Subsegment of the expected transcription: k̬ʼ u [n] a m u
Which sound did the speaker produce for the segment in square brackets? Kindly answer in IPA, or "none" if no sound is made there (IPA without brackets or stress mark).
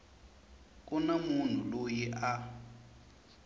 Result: n